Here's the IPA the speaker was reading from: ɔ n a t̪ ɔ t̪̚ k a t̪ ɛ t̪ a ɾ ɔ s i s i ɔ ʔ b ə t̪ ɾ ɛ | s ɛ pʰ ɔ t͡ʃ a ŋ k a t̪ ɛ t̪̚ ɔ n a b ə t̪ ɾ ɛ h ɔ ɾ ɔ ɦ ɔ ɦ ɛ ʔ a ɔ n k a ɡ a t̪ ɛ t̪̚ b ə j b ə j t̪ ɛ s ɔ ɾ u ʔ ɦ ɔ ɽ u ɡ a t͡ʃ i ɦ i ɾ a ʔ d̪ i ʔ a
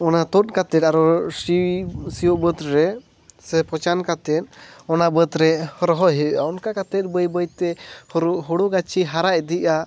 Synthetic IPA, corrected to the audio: ɔ n a t̪ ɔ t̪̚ k a t̪ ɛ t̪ a ɾ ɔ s i s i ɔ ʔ b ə t̪ ɾ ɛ | s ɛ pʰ ɔ t͡ʃ a n k a t̪ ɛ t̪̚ ɔ n a b ə t̪ ɾ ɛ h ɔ ɾ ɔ ɦ ɔ ɦ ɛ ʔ a ɔ n k a k a t̪ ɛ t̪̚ b ə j b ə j t̪ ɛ h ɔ ɾ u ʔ ɦ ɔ ɽ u ɡ a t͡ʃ i ɦ a ɾ a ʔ d̪ i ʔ a

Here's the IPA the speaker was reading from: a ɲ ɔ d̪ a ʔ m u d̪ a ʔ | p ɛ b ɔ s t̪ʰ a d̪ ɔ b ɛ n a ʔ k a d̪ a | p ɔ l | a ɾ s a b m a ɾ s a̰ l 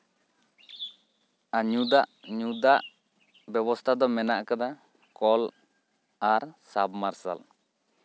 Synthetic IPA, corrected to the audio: a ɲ u d̪ a ʔ ɲ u d̪ a ʔ | b ɛ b ɔ s t̪ʰ a d̪ ɔ m ɛ n a ʔ k a d̪ a | k ɔ l | a ɾ s a b m a ɾ s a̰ l

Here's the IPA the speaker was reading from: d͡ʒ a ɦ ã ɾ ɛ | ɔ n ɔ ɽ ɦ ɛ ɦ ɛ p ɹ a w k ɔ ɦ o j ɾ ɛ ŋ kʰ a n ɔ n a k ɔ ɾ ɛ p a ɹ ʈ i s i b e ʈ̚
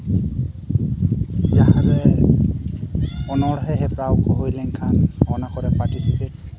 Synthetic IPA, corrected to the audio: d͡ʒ a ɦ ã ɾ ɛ | ɔ n ɔ ɽ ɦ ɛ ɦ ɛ p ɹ a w k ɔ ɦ o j l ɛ ŋ kʰ a n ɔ n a k ɔ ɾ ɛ p a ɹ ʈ i s i p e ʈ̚

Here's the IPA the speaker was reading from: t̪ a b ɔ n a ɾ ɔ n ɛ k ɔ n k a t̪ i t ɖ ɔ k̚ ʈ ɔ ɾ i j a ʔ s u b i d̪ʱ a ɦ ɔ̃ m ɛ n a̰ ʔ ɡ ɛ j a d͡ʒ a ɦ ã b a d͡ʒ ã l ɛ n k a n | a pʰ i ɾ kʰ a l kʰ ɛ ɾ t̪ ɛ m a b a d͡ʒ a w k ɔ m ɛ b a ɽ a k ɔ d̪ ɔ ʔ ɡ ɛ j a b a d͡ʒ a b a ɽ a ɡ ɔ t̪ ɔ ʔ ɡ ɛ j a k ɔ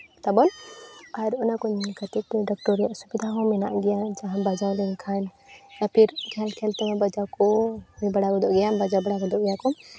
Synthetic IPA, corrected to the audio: t̪ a b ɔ n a ɾ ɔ n a k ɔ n k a t̪ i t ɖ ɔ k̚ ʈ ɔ ɾ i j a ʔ s u b i d̪ʱ a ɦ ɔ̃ m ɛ n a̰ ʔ ɡ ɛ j a d͡ʒ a ɦ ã b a d͡ʒ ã l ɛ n kʰ a n | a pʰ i ɾ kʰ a l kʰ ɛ l t̪ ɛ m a b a d͡ʒ a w k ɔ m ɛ b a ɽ a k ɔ d̪ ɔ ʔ ɡ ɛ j a b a d͡ʒ a b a ɽ a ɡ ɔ d̪ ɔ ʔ ɡ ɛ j a k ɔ

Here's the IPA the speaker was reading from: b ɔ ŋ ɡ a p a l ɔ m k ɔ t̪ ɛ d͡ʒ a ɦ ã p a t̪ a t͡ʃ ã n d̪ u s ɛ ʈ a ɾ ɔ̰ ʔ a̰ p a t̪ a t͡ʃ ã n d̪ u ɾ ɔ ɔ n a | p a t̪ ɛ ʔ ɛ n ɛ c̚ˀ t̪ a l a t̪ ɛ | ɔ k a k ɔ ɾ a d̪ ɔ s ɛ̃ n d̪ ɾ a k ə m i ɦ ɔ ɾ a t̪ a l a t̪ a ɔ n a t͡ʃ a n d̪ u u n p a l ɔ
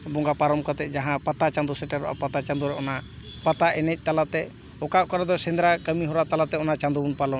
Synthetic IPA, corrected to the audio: b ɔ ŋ ɡ a p a ɾ ɔ m k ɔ t̪ ɛ d͡ʒ a ɦ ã p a t̪ a t͡ʃ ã n d̪ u s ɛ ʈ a ɾ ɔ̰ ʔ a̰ p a t̪ a t͡ʃ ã n d̪ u ɾ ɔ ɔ n a | p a t̪ a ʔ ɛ n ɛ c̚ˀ t̪ a l a t̪ ɛ | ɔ k a k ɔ ɾ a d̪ ɔ s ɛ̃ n d̪ ɾ a k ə m i ɦ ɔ ɾ a t̪ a l a t̪ ɛ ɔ n a t͡ʃ a n d̪ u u n p a l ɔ

